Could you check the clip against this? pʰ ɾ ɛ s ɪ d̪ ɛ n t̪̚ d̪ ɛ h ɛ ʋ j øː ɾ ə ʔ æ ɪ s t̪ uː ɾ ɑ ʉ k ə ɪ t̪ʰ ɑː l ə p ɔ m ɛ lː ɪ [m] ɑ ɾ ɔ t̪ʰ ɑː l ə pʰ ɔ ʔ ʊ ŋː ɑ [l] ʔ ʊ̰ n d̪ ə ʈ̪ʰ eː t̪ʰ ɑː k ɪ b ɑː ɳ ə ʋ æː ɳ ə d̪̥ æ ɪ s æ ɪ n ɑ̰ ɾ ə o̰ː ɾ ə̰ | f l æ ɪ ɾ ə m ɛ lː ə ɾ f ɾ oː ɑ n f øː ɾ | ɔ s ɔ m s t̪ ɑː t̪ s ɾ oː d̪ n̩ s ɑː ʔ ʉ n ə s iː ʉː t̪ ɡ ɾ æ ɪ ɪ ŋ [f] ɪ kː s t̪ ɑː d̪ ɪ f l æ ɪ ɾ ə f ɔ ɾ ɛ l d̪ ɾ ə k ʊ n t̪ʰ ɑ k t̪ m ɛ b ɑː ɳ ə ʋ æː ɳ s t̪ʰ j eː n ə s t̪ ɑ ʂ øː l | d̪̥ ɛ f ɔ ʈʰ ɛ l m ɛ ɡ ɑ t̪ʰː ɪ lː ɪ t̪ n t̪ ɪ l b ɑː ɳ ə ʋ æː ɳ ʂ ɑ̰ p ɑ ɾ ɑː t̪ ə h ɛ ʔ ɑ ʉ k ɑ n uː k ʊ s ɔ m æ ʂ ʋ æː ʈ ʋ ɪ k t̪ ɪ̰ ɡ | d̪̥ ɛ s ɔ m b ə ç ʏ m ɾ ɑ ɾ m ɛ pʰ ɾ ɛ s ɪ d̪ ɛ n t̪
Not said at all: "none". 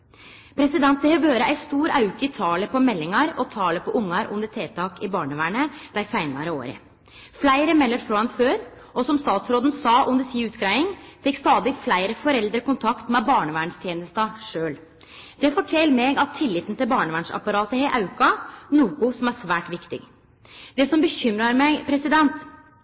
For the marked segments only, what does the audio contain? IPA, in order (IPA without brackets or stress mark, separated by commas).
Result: ŋ, ɾ, f